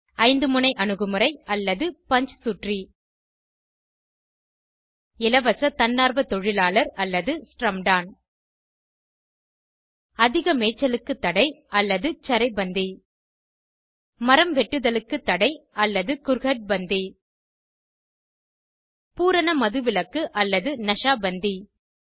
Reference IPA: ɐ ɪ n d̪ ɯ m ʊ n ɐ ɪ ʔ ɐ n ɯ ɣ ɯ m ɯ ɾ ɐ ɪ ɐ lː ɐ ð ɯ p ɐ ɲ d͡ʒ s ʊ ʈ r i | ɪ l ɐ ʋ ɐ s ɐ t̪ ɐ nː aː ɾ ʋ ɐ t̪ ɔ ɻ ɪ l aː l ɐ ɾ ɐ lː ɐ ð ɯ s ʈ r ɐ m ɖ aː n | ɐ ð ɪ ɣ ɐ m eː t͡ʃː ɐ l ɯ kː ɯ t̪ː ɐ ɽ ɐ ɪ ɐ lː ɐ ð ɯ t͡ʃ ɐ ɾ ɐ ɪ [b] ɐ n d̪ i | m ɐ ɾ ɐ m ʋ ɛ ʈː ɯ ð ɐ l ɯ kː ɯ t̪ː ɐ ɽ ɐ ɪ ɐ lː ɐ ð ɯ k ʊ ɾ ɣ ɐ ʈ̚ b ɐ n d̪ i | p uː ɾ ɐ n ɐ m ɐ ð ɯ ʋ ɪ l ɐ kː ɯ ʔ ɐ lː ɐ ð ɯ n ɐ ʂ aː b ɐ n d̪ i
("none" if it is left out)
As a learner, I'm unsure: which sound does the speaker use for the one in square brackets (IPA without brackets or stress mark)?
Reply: b